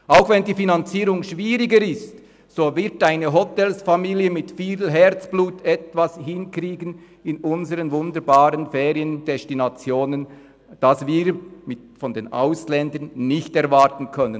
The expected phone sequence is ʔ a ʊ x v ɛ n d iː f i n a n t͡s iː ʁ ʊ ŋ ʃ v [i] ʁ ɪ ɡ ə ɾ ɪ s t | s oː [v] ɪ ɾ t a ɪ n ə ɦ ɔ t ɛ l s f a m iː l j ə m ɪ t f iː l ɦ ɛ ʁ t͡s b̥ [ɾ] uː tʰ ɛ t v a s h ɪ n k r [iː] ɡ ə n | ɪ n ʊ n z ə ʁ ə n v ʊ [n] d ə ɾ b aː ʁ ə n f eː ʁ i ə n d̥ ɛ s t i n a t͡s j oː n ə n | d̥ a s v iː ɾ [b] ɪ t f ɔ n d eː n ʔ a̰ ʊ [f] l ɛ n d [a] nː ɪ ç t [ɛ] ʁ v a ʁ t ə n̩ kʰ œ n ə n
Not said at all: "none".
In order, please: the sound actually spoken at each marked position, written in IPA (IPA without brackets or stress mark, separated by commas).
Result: iː, v, l, iː, n, m, s, ə, ɛ